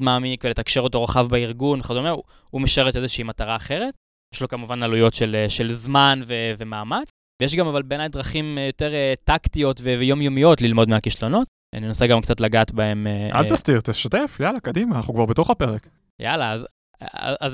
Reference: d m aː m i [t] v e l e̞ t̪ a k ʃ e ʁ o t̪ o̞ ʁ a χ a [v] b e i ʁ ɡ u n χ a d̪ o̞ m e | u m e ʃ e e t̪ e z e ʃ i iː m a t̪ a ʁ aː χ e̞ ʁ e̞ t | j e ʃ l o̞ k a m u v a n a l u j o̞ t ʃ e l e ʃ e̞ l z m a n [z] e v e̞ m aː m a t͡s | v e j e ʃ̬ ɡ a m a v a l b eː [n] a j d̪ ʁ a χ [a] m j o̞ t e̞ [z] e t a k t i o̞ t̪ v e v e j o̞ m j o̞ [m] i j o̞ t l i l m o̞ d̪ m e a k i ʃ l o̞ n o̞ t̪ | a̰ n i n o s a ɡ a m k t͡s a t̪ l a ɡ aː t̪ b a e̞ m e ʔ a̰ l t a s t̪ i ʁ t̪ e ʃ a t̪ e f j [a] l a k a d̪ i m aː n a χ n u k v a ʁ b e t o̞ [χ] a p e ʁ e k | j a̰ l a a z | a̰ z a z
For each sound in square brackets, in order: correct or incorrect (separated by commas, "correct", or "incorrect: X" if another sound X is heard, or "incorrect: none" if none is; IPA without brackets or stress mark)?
incorrect: k, correct, incorrect: v, correct, incorrect: i, incorrect: ʁ, correct, correct, correct